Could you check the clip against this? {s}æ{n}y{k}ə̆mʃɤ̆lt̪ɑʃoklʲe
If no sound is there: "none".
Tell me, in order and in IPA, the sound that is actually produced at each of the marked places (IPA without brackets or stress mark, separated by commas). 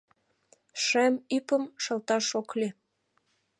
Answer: ʃ, m, p